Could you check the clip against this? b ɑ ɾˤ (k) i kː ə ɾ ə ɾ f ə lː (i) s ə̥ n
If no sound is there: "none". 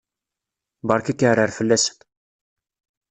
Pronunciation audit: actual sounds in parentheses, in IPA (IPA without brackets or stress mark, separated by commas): k, æ